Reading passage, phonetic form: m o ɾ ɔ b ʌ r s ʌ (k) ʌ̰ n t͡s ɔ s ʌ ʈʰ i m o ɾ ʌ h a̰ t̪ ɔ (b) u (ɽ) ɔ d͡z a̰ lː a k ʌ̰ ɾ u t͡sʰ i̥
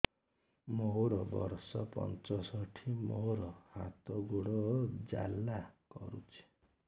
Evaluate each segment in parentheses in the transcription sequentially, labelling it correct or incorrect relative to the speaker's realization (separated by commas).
incorrect, incorrect, correct